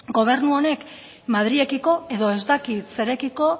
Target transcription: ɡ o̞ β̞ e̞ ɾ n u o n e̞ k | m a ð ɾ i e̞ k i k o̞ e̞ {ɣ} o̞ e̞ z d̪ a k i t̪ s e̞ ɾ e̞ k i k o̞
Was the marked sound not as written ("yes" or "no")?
yes